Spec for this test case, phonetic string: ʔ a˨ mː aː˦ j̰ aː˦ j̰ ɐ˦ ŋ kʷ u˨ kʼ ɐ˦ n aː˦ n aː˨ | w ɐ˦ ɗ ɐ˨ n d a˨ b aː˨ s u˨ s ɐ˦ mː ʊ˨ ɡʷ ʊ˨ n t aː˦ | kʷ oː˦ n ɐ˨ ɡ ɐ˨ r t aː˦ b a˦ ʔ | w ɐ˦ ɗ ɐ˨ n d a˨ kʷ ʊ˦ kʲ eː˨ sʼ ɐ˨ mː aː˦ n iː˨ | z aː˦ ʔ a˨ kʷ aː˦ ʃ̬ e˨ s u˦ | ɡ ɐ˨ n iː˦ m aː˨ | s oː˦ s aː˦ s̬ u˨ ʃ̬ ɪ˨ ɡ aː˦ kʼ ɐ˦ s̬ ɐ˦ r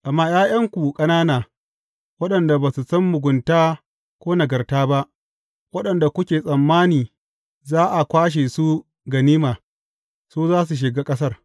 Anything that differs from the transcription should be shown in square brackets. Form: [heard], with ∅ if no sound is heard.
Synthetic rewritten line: ʔ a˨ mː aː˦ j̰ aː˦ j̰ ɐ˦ ŋ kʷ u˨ kʼ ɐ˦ n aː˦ n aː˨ | w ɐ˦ ɗ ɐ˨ n d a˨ b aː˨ s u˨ s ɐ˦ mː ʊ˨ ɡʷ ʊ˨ n t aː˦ | kʷ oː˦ n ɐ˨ ɡ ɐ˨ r t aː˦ b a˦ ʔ | w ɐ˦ ɗ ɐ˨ n d a˨ kʷ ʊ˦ kʲ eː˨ sʼ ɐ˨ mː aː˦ n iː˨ | z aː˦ ʔ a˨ kʷ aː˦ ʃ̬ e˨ s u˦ | ɡ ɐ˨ n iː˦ m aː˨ | s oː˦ [z] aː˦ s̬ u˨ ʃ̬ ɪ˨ ɡ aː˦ kʼ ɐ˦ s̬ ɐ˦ r